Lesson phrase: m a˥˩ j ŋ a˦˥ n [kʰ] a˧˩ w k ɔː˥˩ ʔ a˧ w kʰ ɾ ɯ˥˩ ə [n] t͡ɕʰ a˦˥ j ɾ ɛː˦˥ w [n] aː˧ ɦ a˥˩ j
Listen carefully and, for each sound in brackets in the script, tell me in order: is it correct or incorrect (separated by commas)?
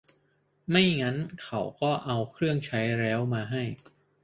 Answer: correct, incorrect, incorrect